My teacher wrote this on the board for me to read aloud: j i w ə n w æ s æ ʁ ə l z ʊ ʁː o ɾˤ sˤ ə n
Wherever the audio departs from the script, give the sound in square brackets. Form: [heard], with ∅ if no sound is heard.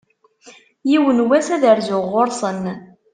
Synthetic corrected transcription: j i w ə n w æ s æ [ð] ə [ɾ] z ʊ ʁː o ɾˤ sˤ ə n